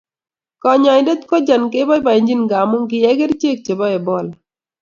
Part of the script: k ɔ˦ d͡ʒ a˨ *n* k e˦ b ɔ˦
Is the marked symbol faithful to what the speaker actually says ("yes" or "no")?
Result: yes